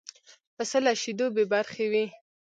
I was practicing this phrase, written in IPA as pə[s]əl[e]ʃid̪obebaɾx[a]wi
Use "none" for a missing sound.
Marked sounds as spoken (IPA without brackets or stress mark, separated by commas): s, a, e